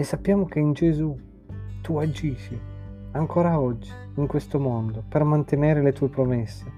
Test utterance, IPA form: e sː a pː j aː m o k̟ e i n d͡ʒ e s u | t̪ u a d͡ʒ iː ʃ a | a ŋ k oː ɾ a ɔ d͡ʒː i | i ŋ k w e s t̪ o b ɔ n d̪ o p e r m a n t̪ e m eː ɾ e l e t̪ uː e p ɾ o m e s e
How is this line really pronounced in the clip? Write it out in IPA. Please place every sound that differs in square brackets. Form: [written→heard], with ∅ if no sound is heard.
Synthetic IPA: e sː a pː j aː m o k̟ e i n d͡ʒ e [s→z] u | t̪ u a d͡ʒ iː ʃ [a→i] | a ŋ k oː ɾ a ɔ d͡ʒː i | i ŋ k w e s t̪ o [b→m] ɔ n d̪ o p e r m a n t̪ e [m→n] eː ɾ e l e t̪ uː e p ɾ o m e [s→sː] e